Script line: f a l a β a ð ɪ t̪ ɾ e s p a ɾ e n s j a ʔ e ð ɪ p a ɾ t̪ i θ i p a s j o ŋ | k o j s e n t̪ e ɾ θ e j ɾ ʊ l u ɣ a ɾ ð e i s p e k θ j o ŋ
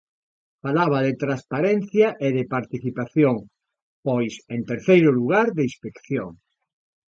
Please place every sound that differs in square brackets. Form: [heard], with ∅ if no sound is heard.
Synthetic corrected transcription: f a l a β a ð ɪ t̪ ɾ [a] s p a ɾ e n [θ] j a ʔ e ð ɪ p a ɾ t̪ i θ i p a [θ] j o ŋ | [p] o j s e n t̪ e ɾ θ e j ɾ ʊ l u ɣ a ɾ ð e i s p e k θ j o ŋ